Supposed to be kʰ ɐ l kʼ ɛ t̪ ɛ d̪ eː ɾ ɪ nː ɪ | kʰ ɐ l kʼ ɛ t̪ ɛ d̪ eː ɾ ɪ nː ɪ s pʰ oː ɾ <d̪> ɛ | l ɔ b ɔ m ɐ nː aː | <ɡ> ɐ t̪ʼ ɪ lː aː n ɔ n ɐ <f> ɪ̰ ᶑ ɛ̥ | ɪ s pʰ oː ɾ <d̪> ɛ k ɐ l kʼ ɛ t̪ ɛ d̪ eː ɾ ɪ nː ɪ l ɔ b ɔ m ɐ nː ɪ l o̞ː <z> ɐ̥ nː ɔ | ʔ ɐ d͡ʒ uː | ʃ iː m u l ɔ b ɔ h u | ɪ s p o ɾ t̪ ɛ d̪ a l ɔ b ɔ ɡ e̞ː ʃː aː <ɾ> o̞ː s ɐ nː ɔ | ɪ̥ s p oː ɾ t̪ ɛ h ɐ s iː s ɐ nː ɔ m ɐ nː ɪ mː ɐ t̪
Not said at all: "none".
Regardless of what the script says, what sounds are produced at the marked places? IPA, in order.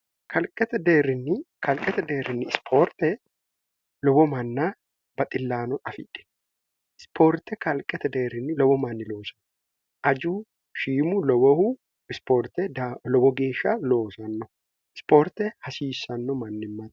t̪, b, f, t̪, s, l

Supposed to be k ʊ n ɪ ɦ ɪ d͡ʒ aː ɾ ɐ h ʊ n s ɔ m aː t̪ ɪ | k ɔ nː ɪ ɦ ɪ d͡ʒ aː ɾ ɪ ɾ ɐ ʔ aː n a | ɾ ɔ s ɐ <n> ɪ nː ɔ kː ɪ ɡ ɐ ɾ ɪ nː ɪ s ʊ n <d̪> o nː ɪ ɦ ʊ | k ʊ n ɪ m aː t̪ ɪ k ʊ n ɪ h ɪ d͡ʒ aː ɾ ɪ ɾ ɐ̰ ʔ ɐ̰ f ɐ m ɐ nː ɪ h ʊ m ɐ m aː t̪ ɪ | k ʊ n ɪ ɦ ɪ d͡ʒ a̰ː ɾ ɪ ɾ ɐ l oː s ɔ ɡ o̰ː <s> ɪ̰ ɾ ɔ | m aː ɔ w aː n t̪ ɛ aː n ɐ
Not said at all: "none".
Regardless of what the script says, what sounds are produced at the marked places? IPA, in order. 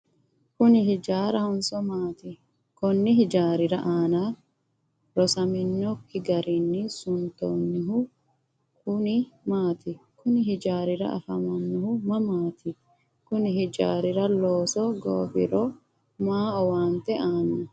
m, t̪, f

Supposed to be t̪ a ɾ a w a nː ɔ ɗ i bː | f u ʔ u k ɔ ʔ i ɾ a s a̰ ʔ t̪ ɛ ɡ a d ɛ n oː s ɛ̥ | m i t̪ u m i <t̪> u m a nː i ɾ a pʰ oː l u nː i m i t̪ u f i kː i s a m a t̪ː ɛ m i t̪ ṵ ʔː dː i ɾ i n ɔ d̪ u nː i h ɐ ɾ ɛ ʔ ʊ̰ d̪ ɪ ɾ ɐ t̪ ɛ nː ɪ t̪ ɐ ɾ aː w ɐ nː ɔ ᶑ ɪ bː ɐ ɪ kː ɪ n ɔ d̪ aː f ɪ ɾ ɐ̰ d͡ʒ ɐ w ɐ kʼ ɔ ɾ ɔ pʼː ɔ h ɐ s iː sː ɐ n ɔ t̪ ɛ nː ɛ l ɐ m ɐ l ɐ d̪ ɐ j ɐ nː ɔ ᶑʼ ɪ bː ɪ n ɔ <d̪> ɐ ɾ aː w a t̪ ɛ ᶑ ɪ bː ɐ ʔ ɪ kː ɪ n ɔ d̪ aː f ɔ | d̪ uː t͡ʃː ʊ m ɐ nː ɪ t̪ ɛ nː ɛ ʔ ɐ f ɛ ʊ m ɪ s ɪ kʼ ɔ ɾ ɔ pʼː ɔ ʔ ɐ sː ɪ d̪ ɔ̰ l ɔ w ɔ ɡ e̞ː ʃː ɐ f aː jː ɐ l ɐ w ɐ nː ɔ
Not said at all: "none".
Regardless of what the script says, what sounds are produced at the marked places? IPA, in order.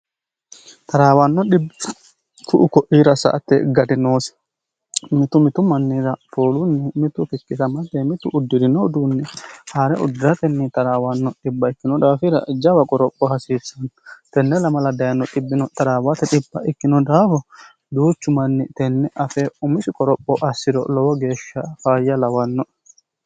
t̪, t̪

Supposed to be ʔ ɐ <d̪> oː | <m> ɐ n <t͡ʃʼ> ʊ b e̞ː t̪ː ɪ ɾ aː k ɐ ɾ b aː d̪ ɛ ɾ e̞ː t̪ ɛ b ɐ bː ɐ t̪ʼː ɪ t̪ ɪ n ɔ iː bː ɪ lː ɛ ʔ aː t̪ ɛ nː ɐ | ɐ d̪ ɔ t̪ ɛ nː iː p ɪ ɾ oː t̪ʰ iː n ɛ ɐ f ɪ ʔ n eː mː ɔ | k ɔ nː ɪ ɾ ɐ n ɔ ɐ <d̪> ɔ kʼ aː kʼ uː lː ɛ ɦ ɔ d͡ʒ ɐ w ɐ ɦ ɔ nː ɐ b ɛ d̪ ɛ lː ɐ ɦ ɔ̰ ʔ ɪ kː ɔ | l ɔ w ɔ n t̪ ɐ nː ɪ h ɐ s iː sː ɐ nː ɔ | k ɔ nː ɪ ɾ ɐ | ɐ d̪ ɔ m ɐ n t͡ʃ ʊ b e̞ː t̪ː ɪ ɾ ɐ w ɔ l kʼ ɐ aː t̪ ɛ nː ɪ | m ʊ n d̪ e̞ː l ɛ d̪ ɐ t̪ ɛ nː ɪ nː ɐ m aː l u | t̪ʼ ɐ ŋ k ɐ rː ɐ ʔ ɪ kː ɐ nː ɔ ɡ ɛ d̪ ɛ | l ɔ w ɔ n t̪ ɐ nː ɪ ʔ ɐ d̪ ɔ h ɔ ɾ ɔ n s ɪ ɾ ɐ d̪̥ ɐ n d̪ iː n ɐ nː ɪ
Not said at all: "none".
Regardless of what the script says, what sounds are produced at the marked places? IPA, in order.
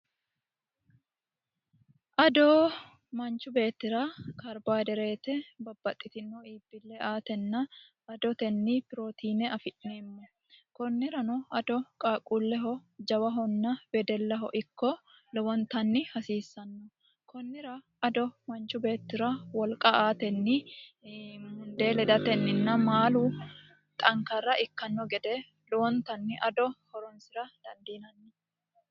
d̪, m, t͡ʃ, d̪

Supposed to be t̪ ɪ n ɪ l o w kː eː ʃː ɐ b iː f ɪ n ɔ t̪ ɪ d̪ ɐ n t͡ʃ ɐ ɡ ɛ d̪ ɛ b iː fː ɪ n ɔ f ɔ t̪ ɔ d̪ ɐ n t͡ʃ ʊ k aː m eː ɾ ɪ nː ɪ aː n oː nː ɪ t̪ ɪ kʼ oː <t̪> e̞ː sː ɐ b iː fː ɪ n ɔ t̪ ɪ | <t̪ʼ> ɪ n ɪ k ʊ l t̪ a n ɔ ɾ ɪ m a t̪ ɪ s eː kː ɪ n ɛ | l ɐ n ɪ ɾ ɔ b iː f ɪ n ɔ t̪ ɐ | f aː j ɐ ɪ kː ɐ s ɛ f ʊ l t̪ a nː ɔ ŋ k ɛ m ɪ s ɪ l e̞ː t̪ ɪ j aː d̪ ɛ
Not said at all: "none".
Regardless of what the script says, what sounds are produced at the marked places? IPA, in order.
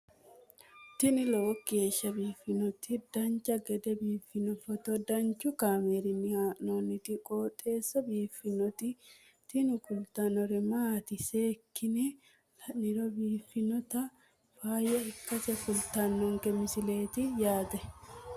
t̪ʼ, t̪

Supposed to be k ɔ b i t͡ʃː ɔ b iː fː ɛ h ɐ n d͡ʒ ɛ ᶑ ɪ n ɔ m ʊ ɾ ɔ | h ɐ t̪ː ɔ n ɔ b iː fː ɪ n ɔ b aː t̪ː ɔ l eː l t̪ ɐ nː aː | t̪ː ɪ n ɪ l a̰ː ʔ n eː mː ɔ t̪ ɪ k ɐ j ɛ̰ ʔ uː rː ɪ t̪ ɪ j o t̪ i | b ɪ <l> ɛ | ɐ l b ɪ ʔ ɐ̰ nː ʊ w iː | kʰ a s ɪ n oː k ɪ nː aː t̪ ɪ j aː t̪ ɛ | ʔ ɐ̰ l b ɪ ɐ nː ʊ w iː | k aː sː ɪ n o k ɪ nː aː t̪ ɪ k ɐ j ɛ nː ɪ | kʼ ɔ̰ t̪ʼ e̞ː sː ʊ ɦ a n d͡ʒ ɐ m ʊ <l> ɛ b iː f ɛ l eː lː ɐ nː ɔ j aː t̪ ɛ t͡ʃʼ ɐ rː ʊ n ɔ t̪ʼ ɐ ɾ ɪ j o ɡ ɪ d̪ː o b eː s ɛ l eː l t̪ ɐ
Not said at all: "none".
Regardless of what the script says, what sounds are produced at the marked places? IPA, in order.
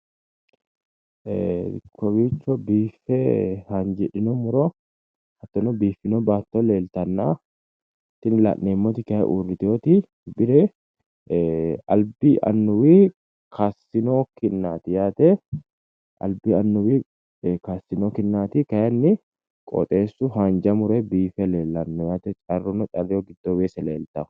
ɾ, ɾ

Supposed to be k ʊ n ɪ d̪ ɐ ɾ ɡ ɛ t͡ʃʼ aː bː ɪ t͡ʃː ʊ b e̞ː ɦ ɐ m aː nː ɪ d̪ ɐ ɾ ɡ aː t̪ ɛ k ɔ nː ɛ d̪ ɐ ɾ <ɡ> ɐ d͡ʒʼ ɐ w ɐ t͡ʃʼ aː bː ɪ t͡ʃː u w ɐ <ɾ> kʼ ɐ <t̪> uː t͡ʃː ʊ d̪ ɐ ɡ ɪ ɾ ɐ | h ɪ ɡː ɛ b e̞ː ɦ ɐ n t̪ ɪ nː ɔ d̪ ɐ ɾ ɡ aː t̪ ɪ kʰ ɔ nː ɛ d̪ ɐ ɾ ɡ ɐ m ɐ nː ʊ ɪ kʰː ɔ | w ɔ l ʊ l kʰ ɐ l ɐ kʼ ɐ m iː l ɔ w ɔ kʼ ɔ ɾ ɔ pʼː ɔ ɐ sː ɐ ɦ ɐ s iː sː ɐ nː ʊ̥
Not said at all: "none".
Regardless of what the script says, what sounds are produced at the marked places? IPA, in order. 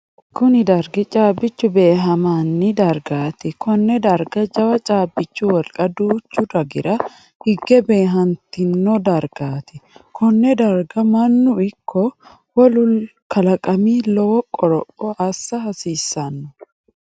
ɡ, l, d̪

